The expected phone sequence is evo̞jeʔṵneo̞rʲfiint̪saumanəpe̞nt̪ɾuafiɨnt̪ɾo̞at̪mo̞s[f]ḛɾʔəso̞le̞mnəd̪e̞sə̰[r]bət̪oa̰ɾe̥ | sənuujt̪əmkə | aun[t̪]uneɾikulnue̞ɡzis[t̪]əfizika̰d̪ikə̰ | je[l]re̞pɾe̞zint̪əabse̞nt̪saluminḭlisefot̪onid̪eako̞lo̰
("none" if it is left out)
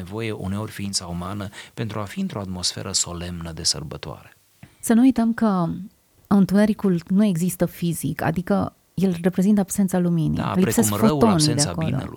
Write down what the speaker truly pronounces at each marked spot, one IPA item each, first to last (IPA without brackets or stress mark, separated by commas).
f, r, t̪, t̪, l